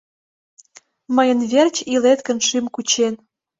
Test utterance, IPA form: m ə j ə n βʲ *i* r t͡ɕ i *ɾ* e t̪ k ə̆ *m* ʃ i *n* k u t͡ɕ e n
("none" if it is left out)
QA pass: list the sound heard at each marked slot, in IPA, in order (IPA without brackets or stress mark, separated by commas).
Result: e, l, n, m